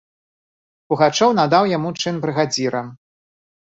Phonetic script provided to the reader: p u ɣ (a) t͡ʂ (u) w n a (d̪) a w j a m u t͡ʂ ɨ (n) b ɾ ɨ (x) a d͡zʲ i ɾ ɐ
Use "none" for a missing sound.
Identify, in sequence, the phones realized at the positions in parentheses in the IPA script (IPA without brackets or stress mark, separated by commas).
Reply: a, ɔ, d̪, n, ɣ